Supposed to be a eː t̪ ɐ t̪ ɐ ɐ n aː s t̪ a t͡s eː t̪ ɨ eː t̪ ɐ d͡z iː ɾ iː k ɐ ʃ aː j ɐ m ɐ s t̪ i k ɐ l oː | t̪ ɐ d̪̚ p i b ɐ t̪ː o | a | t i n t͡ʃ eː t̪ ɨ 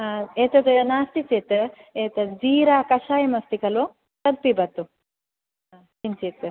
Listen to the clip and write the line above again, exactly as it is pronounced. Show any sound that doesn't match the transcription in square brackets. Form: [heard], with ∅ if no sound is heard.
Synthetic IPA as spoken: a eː t̪ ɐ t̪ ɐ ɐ n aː s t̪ [i] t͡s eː t̪ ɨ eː t̪ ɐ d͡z iː ɾ [aː] k ɐ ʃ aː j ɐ m ɐ s t̪ i k ɐ l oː | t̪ ɐ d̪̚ p i b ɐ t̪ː [u] | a | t i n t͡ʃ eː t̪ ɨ